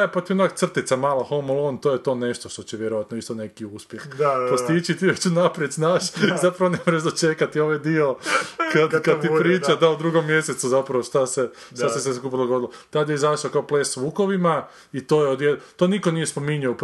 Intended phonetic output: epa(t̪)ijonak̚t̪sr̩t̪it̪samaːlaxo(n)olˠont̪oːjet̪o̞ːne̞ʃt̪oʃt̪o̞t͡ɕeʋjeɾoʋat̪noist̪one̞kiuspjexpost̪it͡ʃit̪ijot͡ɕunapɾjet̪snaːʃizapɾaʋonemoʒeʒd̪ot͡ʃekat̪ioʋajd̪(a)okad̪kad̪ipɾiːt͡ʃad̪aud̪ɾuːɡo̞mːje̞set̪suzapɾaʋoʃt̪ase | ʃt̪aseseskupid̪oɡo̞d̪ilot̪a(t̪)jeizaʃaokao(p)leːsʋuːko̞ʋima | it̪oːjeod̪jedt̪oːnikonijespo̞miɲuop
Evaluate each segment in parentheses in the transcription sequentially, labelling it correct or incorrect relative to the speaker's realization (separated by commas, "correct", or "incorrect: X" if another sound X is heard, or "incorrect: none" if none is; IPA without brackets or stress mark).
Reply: correct, incorrect: m, incorrect: i, incorrect: d̪, correct